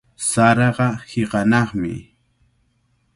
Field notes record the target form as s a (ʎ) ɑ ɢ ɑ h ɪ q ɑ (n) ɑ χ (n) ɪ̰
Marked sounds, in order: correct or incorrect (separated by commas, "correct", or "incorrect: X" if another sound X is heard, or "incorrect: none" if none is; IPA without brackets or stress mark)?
incorrect: ɾ, correct, incorrect: m